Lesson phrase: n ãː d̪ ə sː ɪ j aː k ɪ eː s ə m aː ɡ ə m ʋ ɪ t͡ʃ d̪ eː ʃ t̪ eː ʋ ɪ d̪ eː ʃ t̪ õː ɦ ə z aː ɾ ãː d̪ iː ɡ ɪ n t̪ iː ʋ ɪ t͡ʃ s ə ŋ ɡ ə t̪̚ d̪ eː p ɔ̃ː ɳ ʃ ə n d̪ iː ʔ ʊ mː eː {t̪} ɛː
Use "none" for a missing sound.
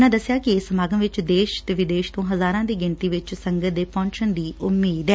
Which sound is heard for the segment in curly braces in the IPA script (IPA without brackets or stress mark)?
d̪